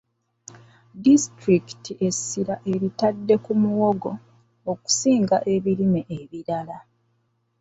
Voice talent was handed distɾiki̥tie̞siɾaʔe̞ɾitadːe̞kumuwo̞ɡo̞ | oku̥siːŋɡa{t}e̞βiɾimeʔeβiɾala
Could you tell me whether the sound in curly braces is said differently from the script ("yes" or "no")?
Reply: yes